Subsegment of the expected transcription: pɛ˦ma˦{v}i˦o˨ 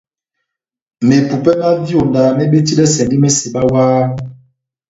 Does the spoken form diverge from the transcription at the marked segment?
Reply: no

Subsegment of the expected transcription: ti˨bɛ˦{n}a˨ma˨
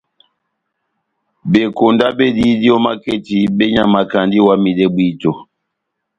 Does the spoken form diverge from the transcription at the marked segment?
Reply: yes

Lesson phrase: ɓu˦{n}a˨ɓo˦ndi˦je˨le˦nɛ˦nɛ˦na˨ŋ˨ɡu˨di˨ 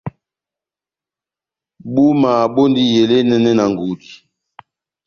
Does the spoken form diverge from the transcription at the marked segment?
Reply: yes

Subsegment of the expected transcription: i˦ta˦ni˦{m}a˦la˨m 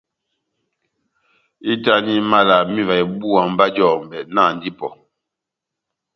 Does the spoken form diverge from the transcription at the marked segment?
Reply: no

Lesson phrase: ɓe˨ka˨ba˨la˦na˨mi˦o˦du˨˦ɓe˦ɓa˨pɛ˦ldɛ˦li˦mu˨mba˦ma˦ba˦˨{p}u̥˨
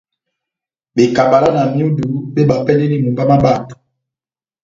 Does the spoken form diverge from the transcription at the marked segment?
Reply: yes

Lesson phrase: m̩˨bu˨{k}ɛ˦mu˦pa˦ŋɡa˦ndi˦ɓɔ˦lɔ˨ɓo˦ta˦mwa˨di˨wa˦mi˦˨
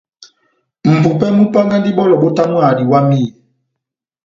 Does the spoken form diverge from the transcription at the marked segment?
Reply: yes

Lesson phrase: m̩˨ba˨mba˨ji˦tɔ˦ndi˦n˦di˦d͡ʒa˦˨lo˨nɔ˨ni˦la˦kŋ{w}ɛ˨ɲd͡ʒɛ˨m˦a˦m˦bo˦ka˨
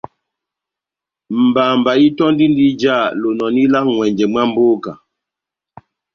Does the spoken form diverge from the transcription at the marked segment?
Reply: no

